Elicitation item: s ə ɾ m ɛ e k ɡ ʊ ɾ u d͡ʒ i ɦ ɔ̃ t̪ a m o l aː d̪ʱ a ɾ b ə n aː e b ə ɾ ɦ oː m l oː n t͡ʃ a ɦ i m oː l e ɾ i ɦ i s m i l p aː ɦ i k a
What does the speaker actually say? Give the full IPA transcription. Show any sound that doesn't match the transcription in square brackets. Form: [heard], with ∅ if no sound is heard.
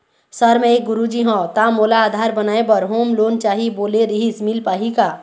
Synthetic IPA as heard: s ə ɾ m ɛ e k ɡ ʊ ɾ u d͡ʒ i ɦ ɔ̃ t̪ a m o l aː d̪ʱ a ɾ b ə n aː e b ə ɾ ɦ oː m l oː n t͡ʃ a ɦ i [b] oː l e ɾ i ɦ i s m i l p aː ɦ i k a